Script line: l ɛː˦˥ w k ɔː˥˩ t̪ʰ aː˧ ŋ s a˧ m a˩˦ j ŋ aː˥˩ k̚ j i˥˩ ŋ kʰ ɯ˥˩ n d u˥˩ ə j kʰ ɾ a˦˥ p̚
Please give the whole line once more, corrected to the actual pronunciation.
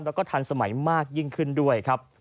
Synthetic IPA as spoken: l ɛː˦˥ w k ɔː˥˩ t̪ʰ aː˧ n s a˧ m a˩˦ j m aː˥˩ k̚ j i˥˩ ŋ kʰ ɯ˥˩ n d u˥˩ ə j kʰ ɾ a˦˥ p̚